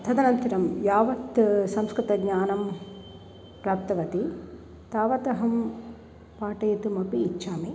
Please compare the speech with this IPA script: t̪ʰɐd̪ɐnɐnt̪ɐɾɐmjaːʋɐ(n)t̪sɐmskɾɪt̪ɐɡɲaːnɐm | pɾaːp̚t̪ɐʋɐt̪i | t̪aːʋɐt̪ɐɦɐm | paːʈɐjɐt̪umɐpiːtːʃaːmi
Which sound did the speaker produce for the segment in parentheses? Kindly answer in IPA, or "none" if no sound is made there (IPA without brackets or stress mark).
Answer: none